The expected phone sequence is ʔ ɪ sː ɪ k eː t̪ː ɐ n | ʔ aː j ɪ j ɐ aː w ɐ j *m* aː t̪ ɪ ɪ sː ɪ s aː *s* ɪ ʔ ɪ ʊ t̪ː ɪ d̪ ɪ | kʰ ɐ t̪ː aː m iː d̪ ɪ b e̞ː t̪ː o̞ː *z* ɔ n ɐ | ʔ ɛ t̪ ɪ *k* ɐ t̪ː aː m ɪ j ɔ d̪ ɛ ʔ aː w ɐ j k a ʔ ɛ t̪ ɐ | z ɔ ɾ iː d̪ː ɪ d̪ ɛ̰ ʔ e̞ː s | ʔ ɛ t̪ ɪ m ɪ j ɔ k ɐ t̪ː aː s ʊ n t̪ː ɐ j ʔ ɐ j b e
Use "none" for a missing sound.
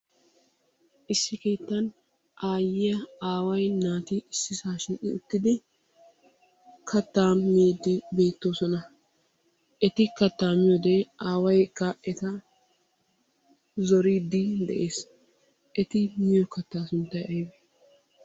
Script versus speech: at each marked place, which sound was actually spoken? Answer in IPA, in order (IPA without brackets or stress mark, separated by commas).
n, ʃ, s, k